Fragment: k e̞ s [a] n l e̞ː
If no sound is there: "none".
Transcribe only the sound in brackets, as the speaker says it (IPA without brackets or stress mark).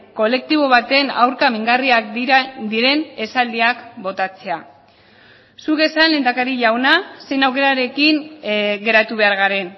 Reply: a